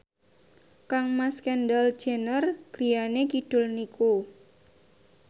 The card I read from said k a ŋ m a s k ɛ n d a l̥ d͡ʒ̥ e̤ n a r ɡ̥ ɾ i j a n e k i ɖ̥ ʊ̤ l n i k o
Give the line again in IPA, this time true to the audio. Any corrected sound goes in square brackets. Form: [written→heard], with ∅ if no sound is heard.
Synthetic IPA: k a ŋ m a s k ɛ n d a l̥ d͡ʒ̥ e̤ n [a→ə] r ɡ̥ ɾ i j a n e k i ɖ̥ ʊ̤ l n i k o